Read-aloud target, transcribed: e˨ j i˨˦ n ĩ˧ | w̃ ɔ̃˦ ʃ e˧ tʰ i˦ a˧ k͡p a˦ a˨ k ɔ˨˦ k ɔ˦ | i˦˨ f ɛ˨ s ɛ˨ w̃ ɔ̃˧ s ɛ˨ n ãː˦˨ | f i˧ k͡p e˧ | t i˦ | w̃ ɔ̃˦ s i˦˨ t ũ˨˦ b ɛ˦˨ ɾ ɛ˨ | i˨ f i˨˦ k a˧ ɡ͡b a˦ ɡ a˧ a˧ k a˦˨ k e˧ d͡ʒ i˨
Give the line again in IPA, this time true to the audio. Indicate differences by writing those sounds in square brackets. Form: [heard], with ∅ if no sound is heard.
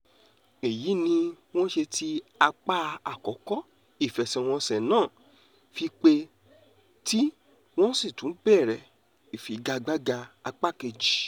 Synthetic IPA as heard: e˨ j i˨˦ n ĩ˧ | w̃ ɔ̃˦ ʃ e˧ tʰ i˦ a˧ k͡p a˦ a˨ k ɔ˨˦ k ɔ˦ | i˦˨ f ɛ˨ s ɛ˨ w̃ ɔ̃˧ s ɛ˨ n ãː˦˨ | f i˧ k͡p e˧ | t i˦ | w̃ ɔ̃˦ s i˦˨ t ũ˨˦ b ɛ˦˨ ɾ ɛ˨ | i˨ f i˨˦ [ɡ] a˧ ɡ͡b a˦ ɡ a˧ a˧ [k͡p] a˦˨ k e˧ d͡ʒ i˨